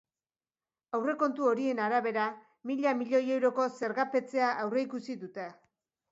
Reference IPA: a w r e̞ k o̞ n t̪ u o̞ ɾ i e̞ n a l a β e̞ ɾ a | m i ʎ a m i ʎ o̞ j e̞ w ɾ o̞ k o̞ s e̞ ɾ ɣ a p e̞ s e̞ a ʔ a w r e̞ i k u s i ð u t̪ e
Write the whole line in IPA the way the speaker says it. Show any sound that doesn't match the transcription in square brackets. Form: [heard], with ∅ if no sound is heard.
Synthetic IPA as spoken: a w r e̞ k o̞ n t̪ u o̞ ɾ i e̞ n a [ɾ] a β e̞ ɾ a | m i ʎ a m i ʎ o̞ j e̞ w ɾ o̞ k o̞ s e̞ ɾ ɣ a p e̞ [t͡s] e̞ a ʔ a w r e̞ i k u s i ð u t̪ e